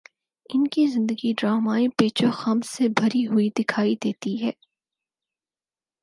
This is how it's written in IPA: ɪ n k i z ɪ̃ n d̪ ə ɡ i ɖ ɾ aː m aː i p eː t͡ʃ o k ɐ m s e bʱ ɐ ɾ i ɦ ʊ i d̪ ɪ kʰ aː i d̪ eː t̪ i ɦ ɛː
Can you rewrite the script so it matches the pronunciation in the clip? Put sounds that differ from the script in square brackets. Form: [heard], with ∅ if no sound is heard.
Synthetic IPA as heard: ɪ n k i z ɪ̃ n d̪ ə ɡ i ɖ ɾ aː m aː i p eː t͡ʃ o [x] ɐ m s e bʱ ɐ ɾ i ɦ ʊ i d̪ ɪ kʰ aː i d̪ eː t̪ i ɦ ɛː

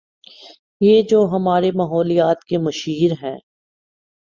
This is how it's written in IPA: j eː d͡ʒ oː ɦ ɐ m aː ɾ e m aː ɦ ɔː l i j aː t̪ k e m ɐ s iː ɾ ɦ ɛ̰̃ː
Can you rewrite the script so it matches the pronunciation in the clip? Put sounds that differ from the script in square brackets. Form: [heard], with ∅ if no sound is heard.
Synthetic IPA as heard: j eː d͡ʒ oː ɦ ɐ m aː ɾ e m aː ɦ ɔː l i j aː t̪ k e m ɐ [ʃ] iː ɾ ɦ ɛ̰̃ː

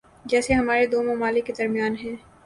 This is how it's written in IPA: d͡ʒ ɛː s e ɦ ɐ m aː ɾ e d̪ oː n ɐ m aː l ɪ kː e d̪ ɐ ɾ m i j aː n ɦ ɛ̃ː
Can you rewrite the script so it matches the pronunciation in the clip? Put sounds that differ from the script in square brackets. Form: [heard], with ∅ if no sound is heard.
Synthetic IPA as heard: d͡ʒ ɛː s e ɦ ɐ m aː ɾ e d̪ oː [m] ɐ m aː l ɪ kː e d̪ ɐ ɾ m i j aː n ɦ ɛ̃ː

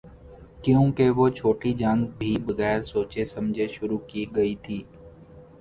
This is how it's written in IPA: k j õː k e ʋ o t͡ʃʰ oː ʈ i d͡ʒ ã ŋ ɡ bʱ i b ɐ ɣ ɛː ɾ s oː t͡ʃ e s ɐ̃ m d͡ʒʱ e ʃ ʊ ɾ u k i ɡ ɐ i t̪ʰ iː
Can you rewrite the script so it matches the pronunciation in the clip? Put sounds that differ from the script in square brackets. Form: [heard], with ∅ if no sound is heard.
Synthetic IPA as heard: k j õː k e ʋ o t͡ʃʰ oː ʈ i d͡ʒ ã ŋ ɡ bʱ i b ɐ ɣ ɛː ɾ s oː t͡ʃ e s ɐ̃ m d͡ʒʱ e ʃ ʊ ɾ u k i ɡ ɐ i t̪ʰ iː

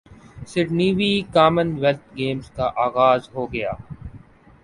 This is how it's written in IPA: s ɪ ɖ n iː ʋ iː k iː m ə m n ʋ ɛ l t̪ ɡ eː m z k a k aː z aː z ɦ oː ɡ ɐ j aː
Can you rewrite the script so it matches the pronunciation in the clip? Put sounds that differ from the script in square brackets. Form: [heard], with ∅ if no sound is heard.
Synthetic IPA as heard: s ɪ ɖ n iː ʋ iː k [aː] m ə [∅] n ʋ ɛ l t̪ ɡ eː m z k a [ʔ] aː [ɣ] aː z ɦ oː ɡ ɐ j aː

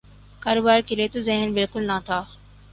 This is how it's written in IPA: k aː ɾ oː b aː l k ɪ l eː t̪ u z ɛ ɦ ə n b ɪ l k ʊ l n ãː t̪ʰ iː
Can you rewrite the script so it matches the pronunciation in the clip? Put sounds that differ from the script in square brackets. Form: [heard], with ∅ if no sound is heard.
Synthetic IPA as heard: k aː ɾ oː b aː [ɾ] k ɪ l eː t̪ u z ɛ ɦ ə n b ɪ l k ʊ l n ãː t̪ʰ [aː]

